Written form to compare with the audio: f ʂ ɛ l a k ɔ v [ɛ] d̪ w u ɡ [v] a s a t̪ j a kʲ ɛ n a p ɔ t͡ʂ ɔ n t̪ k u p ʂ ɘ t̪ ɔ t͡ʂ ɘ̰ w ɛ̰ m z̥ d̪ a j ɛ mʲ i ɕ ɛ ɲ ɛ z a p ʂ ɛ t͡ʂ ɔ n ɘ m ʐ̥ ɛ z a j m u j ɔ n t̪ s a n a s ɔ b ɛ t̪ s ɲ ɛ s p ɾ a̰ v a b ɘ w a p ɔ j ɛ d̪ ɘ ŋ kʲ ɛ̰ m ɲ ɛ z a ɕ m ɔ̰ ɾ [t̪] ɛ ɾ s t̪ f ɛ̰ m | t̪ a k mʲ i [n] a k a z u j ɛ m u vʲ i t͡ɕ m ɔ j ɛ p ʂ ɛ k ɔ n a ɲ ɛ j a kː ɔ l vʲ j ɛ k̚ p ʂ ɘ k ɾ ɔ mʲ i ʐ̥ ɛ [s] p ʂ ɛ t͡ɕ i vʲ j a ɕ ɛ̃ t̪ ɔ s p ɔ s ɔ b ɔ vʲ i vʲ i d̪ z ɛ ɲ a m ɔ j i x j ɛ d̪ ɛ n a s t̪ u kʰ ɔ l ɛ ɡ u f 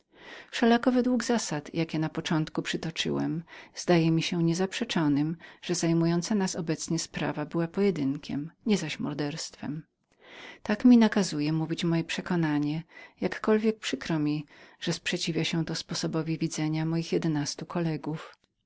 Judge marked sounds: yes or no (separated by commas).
yes, no, no, yes, yes